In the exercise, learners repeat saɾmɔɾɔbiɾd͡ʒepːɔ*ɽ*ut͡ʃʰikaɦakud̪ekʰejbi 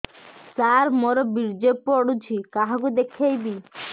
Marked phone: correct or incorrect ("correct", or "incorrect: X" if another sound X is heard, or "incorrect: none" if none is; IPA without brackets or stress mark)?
correct